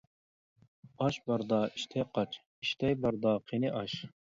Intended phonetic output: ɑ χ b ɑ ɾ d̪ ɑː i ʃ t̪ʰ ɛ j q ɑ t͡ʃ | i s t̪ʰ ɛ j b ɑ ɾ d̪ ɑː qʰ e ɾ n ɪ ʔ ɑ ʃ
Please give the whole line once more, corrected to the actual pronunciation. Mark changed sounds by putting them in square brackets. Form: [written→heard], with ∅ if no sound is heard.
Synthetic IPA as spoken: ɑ [χ→ʃ] b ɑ ɾ d̪ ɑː i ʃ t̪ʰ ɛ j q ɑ t͡ʃ | i [s→ʃ] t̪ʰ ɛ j b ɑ ɾ d̪ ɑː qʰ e [ɾ→∅] n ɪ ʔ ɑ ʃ